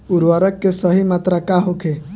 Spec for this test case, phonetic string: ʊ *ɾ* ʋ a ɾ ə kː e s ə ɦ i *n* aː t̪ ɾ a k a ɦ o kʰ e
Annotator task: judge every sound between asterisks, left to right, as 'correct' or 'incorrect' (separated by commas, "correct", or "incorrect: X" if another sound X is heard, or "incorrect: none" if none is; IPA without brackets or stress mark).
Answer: correct, incorrect: m